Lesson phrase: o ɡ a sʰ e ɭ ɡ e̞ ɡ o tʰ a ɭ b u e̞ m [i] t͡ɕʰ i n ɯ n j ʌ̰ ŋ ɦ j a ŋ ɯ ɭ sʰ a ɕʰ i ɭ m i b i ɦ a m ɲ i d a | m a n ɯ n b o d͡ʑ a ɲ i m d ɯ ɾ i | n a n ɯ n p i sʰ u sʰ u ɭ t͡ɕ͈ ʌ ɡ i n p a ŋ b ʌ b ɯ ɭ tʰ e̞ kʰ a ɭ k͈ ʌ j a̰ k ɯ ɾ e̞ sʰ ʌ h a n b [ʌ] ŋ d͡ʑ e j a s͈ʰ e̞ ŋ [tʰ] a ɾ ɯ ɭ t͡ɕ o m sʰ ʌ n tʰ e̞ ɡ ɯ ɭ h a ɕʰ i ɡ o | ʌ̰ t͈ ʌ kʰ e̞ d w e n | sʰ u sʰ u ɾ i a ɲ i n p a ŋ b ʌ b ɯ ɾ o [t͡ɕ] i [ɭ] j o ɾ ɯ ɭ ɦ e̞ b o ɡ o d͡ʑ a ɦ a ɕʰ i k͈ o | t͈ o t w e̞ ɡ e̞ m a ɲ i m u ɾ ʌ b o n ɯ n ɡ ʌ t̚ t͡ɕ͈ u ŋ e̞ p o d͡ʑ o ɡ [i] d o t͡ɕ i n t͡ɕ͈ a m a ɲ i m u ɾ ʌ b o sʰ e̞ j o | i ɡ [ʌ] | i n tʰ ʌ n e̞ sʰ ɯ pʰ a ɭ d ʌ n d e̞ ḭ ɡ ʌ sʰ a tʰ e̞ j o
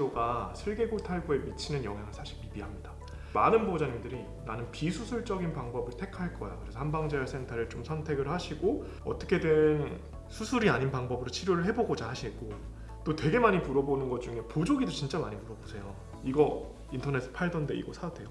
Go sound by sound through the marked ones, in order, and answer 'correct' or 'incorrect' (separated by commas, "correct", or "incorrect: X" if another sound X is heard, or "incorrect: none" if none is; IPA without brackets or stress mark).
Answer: correct, incorrect: a, correct, incorrect: t͡ɕʰ, incorrect: ɾ, correct, correct